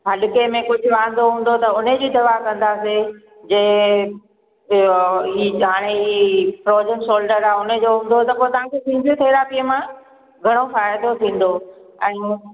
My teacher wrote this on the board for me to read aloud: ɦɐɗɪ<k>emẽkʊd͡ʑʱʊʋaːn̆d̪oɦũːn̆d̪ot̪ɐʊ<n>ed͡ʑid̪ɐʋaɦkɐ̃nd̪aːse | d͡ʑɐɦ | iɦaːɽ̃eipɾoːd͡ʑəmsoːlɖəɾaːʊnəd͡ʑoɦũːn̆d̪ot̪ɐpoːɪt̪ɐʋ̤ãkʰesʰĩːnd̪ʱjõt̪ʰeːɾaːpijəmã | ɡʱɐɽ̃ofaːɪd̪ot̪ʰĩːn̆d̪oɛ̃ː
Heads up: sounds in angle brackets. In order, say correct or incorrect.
correct, correct

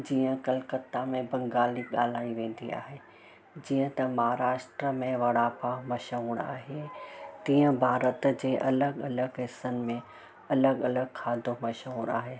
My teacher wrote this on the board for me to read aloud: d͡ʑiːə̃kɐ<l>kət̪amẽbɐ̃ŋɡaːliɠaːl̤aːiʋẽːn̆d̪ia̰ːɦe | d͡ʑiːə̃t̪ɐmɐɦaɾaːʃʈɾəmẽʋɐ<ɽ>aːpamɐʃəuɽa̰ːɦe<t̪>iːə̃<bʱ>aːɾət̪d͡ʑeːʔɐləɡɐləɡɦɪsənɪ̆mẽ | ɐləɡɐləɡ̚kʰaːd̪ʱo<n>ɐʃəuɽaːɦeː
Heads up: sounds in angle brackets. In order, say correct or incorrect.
correct, correct, correct, correct, incorrect

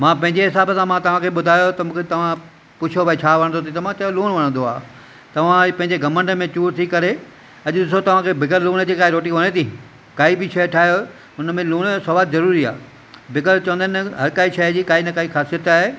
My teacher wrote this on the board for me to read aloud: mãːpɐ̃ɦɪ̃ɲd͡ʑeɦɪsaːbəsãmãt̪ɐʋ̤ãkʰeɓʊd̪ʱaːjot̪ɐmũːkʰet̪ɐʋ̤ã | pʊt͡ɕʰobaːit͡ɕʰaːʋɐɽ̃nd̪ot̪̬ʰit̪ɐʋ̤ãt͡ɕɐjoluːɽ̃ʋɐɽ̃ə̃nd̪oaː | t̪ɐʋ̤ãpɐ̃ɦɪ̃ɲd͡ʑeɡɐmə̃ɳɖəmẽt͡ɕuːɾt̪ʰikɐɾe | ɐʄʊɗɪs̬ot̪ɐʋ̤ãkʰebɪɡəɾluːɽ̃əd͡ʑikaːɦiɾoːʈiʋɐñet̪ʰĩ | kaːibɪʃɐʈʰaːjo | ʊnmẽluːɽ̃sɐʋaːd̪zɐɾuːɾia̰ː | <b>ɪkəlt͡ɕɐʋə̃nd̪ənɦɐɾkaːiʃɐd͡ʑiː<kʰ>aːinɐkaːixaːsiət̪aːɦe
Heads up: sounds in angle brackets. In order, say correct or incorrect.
correct, incorrect

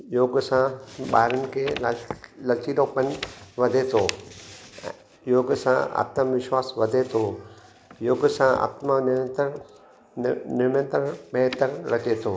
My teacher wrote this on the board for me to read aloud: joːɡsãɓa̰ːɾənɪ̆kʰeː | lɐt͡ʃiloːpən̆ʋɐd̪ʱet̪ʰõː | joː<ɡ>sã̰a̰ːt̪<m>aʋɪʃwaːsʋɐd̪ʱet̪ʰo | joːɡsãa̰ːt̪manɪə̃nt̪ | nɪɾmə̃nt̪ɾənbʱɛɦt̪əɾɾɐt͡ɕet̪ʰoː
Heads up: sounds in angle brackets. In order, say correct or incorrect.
correct, correct

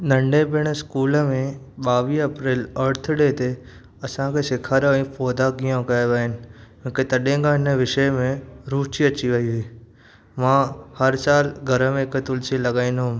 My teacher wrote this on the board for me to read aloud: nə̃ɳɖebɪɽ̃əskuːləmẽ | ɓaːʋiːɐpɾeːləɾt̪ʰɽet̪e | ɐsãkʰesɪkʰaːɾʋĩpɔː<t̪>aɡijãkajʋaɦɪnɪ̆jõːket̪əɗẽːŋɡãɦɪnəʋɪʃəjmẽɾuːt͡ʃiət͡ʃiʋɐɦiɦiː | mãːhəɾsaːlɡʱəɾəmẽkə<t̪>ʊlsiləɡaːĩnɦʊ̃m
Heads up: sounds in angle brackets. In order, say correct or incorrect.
incorrect, correct

